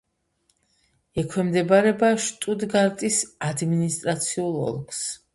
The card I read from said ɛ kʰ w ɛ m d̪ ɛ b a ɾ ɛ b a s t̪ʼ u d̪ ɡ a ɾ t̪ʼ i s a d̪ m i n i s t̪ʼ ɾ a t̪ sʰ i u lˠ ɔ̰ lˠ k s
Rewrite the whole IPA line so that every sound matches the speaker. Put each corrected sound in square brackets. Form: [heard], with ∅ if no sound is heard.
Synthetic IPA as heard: ɛ kʰ w ɛ m d̪ ɛ b a ɾ ɛ b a [ʃ] t̪ʼ u d̪ ɡ a ɾ t̪ʼ i s a d̪ m i n i s t̪ʼ ɾ a t̪ sʰ i u lˠ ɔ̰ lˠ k s